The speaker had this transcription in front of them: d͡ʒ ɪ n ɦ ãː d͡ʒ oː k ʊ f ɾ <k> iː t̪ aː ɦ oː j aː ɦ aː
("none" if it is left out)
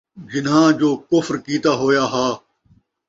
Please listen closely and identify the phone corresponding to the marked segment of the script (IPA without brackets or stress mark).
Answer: k